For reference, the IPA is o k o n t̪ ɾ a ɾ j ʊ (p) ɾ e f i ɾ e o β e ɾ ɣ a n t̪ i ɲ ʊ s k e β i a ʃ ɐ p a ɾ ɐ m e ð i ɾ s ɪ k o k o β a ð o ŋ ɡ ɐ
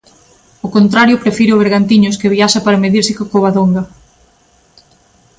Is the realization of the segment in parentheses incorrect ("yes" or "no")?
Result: no